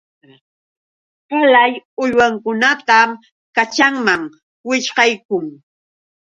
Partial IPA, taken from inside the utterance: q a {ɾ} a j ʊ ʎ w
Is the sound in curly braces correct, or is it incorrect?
incorrect